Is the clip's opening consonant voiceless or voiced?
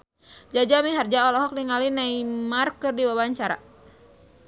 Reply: voiced